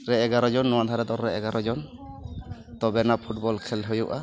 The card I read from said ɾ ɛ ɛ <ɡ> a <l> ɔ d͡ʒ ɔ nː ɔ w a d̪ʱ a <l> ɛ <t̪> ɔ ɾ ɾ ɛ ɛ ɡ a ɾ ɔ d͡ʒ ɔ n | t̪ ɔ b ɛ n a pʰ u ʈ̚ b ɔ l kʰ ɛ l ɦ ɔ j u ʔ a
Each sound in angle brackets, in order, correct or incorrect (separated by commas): correct, incorrect, incorrect, incorrect